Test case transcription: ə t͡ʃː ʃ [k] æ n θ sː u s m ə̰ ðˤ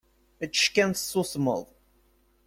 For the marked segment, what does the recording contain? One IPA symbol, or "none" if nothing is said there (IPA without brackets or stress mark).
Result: k